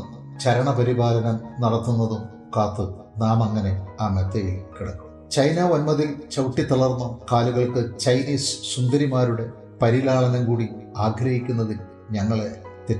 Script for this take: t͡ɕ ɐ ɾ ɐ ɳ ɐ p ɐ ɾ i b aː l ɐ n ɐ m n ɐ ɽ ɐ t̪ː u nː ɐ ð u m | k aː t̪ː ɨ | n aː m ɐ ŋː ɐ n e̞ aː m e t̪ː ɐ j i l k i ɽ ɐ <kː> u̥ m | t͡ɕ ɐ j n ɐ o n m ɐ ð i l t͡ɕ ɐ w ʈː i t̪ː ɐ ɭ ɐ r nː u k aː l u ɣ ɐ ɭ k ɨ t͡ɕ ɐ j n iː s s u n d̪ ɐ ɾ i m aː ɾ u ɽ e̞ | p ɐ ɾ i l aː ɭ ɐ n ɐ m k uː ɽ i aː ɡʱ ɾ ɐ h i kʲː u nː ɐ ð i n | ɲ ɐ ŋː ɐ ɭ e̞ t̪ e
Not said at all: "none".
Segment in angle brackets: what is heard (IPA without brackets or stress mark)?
kː